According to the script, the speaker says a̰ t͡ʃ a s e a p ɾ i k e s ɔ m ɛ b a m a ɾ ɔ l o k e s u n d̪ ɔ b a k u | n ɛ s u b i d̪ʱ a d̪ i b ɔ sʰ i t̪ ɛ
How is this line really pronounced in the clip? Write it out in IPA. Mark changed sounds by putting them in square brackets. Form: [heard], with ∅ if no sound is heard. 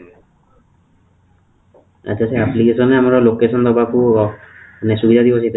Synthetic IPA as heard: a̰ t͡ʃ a s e a p [l] i k e s ɔ [n] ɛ [∅] a m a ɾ ɔ l o k e s [ɔ] n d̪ ɔ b a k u | n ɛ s u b i d̪ʱ a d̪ i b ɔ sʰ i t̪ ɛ